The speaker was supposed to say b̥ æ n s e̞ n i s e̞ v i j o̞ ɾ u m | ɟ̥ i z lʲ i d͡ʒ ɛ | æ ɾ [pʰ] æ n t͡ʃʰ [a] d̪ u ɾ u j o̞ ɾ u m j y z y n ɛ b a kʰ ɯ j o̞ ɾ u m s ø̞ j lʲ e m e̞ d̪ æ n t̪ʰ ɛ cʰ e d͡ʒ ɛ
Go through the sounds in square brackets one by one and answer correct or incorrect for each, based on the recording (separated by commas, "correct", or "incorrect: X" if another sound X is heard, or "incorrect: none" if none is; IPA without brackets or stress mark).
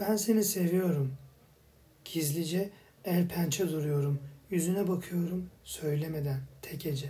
correct, incorrect: ɛ